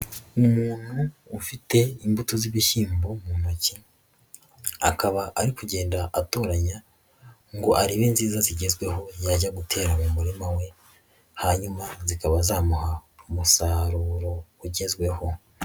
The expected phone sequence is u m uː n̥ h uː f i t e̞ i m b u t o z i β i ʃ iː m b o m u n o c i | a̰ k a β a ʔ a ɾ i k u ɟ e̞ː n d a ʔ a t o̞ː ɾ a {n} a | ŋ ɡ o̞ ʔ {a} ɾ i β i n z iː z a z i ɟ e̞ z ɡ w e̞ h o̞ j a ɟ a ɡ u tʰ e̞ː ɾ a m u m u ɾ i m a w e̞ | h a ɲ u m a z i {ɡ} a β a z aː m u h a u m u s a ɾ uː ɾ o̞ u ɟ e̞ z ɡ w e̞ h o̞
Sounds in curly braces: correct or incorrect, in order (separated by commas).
incorrect, correct, incorrect